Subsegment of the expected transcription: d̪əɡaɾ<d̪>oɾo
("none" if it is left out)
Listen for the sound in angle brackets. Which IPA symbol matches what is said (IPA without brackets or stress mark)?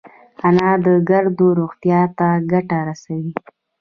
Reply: d̪